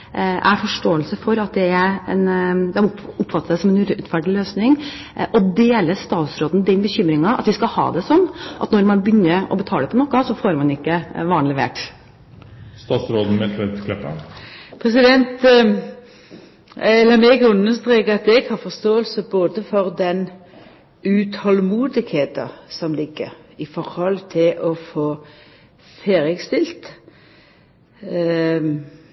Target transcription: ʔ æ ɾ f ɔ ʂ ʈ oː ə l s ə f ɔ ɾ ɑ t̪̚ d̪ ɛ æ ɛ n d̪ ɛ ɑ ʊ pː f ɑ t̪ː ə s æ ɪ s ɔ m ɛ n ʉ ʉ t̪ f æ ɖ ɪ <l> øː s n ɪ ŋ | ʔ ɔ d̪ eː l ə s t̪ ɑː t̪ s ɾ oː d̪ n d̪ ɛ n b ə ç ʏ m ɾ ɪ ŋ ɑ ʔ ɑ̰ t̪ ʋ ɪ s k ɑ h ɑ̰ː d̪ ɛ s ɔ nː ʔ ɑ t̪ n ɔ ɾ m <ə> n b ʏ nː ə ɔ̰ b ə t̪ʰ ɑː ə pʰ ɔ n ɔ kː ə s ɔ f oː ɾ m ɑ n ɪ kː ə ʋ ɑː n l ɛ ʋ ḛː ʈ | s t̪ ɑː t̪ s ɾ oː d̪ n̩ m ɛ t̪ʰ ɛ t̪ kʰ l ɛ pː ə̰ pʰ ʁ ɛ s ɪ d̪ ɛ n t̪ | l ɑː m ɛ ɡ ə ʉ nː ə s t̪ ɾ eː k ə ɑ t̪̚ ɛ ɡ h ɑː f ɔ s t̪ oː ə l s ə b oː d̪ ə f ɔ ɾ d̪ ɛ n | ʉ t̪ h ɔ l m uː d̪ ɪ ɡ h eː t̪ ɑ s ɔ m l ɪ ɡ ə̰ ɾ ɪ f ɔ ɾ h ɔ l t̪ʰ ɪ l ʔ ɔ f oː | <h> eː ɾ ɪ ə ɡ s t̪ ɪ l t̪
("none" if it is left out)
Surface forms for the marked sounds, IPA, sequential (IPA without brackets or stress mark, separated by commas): l, ɑ, f